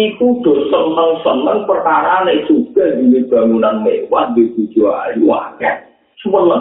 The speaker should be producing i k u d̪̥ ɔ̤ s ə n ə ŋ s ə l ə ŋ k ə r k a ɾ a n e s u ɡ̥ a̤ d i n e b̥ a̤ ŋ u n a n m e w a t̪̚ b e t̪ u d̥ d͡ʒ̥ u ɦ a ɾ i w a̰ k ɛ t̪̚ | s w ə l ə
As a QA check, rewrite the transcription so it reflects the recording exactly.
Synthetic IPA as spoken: i k u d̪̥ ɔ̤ s ə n ə ŋ s ə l ə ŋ p ə r k a ɾ a n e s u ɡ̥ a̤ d i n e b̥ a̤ ŋ u n a n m e w a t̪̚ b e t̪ u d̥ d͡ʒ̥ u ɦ a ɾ i w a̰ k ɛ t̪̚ | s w ə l ə